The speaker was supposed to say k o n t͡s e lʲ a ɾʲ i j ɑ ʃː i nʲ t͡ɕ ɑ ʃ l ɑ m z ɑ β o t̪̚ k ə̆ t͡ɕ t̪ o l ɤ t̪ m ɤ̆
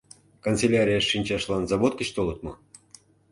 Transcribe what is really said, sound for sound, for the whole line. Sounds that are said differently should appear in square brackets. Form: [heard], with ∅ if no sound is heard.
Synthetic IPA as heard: k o n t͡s e lʲ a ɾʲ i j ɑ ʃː i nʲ t͡ɕ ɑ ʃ l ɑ [n] z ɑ β o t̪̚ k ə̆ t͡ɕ t̪ o l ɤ t̪ m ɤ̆